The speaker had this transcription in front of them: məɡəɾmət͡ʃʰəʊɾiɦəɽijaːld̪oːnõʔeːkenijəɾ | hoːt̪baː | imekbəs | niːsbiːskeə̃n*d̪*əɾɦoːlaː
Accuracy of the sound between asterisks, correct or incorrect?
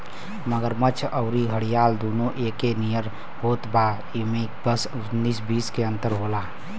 incorrect